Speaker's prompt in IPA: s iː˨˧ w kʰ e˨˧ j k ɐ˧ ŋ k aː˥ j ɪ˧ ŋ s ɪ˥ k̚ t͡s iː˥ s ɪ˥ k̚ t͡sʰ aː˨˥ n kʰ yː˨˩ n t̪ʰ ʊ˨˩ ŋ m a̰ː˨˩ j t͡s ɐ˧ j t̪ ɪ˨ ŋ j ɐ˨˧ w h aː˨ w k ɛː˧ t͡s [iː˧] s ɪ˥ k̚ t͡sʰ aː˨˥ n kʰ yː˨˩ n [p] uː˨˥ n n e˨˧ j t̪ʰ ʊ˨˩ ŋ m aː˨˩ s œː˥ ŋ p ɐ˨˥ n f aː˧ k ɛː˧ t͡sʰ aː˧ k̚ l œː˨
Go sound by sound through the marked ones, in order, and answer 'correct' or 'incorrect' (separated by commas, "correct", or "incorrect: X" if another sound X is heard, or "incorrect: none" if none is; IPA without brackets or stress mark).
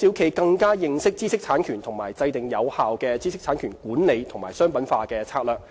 incorrect: iː˥, incorrect: k